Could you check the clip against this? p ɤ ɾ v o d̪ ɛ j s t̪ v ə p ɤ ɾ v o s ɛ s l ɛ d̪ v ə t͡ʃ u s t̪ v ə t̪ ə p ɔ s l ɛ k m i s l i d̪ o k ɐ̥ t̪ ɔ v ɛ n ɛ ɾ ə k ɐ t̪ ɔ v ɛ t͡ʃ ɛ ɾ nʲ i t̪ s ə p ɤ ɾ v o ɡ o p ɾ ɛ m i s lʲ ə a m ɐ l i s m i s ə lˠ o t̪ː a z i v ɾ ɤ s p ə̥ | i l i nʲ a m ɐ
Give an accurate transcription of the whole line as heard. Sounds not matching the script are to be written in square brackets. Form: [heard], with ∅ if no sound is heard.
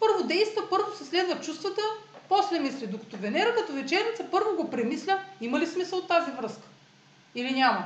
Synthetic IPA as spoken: p ɤ ɾ v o d̪ ɛ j s t̪ v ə p ɤ ɾ v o s ɛ s l ɛ d̪ v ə t͡ʃ u s t̪ v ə t̪ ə p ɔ s l ɛ [∅] m i s l i d̪ o k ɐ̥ t̪ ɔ v ɛ n ɛ ɾ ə k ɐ t̪ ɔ v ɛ t͡ʃ ɛ ɾ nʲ i t̪ s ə p ɤ ɾ v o ɡ o p ɾ ɛ m i s lʲ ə [i] m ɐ l i s m i s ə lˠ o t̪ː a z i v ɾ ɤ s [k] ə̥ | i l i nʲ a m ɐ